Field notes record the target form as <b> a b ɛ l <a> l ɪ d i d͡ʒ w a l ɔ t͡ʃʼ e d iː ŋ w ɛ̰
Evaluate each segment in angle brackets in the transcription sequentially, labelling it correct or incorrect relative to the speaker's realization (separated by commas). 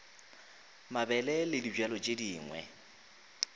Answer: incorrect, incorrect